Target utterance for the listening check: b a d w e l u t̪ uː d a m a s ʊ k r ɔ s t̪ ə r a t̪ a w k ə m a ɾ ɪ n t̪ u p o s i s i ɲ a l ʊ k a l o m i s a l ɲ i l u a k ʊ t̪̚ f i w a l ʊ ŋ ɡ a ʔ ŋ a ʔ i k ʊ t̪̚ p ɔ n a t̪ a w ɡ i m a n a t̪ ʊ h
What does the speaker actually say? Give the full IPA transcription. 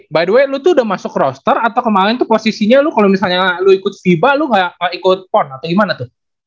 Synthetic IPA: b a d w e l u t̪ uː d a m a s ʊ k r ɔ s t̪ ə r a t̪ a w k ə m a ɾ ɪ n t̪ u p o s i s i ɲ a l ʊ k a l o m i s a l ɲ a l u i k ʊ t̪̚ f i b a l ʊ ŋ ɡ a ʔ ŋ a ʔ i k ʊ t̪̚ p ɔ n a t̪ a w ɡ i m a n a t̪ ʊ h